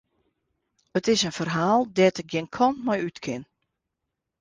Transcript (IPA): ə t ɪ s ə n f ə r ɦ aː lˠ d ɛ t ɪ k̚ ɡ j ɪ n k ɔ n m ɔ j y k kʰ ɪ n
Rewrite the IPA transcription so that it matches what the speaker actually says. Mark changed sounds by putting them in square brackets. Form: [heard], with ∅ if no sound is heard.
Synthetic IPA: ə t ɪ s ə n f ə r ɦ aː lˠ d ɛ t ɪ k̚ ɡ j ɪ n [kʰ] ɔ n m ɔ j y [t] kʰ ɪ n